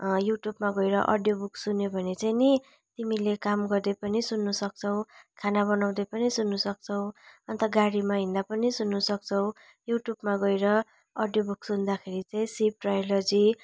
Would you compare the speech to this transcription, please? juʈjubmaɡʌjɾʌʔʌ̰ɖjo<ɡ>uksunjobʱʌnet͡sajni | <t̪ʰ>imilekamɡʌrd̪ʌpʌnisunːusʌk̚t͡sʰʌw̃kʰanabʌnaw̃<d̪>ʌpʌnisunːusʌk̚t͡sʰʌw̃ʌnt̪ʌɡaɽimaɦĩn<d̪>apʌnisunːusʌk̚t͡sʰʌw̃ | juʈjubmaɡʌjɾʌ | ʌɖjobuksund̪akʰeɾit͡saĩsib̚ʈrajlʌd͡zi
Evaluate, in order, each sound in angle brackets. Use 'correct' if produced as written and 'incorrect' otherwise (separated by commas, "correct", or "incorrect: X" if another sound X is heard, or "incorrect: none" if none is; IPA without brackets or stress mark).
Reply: incorrect: b, incorrect: t̪, correct, correct